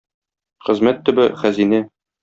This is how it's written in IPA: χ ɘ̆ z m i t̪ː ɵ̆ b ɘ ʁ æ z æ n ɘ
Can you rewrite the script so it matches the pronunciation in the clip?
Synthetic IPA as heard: χ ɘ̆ z m æ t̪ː ɵ̆ b ɘ χ æ z i n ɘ